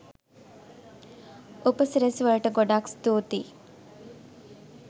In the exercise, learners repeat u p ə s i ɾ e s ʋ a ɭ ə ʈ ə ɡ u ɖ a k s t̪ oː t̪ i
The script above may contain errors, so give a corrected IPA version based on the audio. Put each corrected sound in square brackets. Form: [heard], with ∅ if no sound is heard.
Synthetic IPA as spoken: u p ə s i ɾ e s ʋ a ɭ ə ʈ ə ɡ [o] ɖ a k s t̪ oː t̪ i